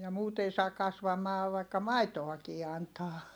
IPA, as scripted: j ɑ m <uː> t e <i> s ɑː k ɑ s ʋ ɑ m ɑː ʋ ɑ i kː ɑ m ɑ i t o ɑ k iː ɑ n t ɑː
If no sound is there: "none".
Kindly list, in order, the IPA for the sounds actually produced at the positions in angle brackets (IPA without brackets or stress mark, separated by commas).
uː, i